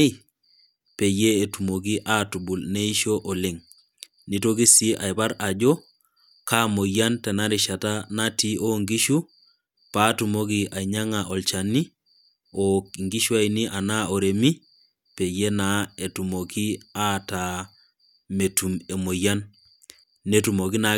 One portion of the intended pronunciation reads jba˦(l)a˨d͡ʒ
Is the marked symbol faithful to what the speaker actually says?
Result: no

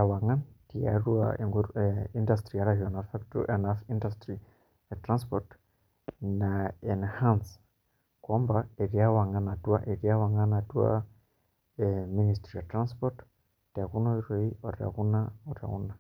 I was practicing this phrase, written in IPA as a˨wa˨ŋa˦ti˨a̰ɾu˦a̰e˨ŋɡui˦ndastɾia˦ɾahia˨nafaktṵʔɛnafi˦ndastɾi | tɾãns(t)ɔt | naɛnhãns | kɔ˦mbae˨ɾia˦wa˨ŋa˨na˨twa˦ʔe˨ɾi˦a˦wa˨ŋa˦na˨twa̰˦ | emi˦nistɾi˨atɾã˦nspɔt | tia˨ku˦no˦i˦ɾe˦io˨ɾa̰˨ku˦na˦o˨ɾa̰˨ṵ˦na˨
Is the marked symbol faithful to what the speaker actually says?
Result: no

